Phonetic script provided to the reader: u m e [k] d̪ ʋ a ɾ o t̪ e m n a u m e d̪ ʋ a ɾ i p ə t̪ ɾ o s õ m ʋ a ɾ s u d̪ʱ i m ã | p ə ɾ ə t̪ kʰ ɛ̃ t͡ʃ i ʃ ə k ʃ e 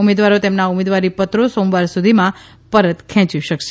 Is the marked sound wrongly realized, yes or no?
yes